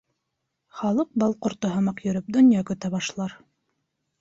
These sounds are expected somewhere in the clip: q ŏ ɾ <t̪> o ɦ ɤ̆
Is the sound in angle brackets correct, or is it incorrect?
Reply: correct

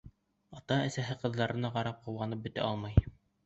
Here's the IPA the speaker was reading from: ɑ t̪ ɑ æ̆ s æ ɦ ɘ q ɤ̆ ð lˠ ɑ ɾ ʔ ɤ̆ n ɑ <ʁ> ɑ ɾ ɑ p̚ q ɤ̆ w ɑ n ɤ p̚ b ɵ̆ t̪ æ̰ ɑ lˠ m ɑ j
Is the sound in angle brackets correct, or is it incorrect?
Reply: correct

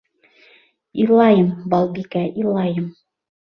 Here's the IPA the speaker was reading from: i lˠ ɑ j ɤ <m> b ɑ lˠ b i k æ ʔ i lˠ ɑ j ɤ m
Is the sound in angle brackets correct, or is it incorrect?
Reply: correct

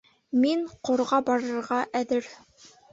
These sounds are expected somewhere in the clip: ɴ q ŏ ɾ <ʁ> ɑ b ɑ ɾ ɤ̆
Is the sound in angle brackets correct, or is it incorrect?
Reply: correct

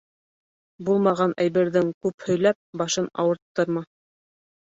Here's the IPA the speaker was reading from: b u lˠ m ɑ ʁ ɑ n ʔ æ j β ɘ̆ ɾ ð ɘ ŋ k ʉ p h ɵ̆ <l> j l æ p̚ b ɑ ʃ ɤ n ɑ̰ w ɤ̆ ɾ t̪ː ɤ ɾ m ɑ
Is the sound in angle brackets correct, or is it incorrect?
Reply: incorrect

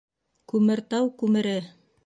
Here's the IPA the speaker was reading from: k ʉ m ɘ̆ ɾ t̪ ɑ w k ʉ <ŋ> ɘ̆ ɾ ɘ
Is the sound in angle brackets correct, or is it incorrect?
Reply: incorrect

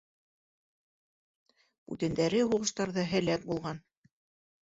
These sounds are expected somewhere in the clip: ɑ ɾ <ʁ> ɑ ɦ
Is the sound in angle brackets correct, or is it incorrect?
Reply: incorrect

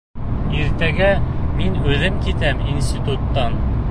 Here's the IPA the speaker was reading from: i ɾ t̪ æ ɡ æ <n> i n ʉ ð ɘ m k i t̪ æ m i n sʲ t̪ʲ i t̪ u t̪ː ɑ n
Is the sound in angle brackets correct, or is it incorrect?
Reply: incorrect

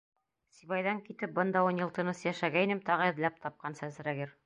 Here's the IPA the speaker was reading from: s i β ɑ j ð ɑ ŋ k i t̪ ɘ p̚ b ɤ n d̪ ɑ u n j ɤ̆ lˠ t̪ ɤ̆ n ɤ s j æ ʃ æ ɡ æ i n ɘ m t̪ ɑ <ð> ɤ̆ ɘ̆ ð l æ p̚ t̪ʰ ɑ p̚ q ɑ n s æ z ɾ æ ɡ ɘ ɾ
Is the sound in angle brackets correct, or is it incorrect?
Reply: incorrect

